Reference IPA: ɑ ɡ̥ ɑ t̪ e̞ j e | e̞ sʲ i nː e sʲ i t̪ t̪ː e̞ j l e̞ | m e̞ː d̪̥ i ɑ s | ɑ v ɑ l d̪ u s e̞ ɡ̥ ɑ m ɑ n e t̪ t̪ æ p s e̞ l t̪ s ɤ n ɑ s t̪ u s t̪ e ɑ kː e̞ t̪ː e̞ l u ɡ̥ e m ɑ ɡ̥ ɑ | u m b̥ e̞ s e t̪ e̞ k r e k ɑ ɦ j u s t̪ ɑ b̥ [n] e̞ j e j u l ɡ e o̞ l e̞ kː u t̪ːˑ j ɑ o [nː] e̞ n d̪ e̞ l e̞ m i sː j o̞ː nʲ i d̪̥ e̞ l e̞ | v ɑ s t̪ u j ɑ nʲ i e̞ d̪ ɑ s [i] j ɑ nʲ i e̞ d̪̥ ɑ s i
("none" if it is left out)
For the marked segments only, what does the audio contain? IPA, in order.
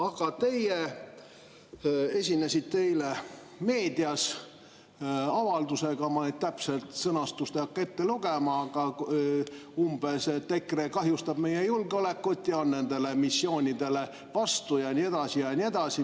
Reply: m, nː, i

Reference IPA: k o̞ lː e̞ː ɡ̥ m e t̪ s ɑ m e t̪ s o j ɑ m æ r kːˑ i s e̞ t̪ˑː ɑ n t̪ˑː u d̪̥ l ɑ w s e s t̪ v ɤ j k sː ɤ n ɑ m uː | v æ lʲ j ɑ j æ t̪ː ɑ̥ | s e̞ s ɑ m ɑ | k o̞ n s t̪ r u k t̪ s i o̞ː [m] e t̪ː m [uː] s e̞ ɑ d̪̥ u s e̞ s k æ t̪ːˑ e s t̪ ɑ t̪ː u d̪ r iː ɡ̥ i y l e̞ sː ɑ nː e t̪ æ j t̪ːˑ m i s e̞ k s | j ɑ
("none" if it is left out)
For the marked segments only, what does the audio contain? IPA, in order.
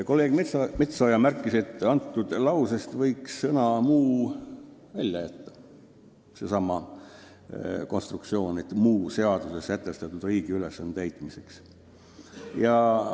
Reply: n, uː

